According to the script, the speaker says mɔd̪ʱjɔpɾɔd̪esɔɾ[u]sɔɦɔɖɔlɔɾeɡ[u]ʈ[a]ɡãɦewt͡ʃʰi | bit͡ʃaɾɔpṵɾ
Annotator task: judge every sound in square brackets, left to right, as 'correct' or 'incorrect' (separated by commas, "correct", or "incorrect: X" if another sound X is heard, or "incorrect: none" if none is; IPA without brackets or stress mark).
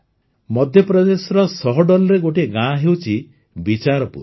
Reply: incorrect: ɔ, incorrect: o, incorrect: e